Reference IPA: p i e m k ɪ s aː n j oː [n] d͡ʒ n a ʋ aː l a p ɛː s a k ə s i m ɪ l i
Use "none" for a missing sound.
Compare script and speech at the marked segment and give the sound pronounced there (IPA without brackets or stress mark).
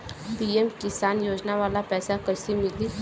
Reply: none